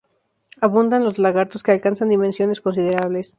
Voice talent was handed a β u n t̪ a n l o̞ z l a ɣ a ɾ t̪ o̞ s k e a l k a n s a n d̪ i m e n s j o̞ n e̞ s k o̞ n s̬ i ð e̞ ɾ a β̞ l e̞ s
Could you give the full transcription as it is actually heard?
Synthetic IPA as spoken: a β u n d̪ a n l o̞ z l a ɣ a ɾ t̪ o̞ s k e a l k a n s a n d̪ i m e n s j o̞ n e̞ s k o̞ n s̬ i ð e̞ ɾ a β̞ l e̞ s